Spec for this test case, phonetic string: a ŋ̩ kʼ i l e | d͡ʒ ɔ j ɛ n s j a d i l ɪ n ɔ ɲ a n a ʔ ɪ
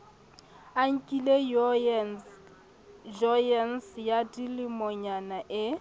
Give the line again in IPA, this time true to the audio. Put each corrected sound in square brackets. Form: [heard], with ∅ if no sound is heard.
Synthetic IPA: a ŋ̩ kʼ i l e | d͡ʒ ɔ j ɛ n s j a d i l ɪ [m] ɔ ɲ a n a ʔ ɪ